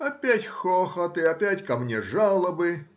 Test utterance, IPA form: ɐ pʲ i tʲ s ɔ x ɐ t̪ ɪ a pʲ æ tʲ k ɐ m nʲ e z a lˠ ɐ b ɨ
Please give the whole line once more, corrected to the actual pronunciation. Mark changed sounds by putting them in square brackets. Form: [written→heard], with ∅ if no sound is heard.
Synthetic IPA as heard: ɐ pʲ [i→æ] tʲ [s→x] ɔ x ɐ t̪ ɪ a pʲ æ tʲ k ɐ m nʲ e [z→ʐ] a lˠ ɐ b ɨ